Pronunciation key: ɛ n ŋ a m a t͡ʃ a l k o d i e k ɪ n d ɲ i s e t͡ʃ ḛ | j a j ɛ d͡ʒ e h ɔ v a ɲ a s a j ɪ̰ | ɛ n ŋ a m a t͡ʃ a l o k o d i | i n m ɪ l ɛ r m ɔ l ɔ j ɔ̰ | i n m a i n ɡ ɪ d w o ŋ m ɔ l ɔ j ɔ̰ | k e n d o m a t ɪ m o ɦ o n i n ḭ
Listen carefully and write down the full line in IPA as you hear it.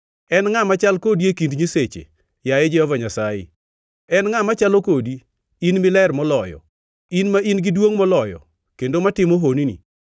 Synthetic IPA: ɛ n ŋ a m a t͡ʃ a l k o d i e k i n d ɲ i s e t͡ʃ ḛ | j a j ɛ d͡ʒ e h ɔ v a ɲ a s a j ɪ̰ | ɛ n ŋ a m a t͡ʃ a l o k o d i | i n m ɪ l ɛ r m ɔ l ɔ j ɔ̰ | i n m a i n ɡ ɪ d w o ŋ m ɔ l ɔ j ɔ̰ | k e n d o m a t ɪ m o ɦ o n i n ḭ